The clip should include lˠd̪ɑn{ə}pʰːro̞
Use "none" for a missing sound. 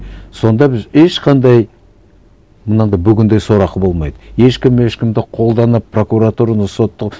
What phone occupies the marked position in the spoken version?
ə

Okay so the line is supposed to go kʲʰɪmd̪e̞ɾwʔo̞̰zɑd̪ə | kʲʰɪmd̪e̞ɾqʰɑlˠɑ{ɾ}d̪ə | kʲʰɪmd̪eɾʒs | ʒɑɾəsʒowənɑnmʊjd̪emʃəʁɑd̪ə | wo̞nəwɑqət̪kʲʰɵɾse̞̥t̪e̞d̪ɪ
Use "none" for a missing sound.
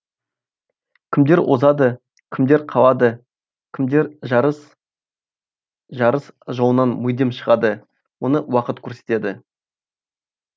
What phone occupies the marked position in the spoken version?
none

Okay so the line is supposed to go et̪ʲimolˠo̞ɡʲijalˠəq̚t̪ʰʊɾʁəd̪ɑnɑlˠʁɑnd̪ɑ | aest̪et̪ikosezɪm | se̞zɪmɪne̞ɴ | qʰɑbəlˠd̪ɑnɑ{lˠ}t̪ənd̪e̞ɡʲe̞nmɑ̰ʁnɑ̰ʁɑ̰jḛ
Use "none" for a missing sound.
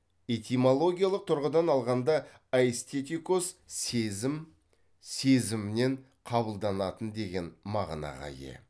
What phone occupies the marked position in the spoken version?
none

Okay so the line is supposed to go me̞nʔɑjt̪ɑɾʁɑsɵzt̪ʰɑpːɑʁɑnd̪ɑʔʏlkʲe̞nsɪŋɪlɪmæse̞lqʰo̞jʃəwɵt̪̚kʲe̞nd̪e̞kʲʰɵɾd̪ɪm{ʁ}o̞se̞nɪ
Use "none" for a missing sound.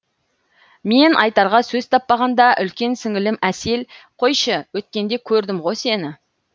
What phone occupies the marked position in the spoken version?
ʁ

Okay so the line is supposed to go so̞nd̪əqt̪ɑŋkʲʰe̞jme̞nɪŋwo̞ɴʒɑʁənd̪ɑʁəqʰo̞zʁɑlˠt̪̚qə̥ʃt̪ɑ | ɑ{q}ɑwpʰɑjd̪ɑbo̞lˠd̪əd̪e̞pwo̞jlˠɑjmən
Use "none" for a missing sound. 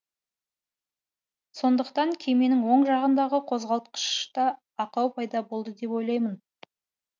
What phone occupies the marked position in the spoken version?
q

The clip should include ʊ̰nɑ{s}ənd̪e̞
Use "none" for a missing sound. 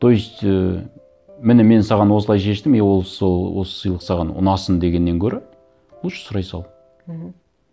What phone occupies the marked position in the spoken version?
s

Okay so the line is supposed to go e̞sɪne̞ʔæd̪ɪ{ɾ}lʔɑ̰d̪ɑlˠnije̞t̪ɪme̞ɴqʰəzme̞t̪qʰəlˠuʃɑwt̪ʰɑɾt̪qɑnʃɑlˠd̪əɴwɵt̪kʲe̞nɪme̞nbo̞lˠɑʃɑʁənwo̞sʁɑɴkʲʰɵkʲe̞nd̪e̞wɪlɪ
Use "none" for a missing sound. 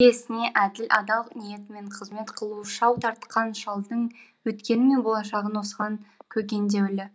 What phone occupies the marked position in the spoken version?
none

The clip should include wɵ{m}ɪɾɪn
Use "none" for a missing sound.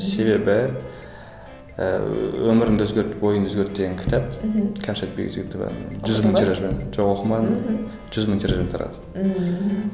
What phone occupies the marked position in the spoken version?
m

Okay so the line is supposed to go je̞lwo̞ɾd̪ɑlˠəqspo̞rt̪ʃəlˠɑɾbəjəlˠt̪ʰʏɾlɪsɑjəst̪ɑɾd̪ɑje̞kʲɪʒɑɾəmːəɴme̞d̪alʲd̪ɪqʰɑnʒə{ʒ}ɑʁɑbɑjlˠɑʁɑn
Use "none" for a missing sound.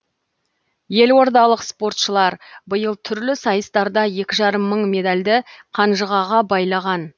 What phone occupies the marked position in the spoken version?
ʁ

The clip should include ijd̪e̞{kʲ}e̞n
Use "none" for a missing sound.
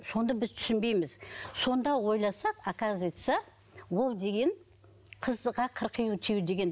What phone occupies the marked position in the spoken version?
ɡʲ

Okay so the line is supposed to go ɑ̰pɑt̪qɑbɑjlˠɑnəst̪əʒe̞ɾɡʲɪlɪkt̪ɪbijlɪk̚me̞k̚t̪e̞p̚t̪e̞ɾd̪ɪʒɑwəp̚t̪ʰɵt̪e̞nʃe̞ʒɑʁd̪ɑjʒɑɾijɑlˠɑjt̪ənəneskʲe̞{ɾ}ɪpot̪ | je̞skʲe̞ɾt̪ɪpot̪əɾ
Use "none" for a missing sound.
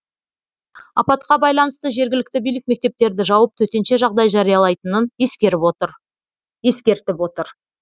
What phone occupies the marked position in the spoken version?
ɾ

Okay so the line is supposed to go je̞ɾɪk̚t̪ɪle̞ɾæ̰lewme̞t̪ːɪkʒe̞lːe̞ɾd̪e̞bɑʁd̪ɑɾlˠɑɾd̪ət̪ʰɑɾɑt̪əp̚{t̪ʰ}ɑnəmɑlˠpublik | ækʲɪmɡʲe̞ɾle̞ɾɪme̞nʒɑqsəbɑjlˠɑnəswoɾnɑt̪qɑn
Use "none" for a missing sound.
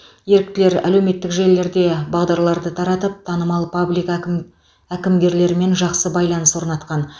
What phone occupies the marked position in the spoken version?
t̪ʰ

